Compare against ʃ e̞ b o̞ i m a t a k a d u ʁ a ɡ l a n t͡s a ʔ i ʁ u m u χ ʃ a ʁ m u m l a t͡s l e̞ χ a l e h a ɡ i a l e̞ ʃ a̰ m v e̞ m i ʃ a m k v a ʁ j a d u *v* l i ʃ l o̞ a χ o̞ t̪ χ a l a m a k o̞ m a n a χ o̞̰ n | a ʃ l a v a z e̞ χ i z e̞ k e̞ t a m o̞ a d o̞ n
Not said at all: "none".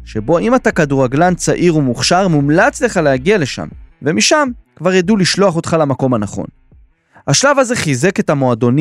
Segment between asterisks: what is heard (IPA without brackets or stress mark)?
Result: none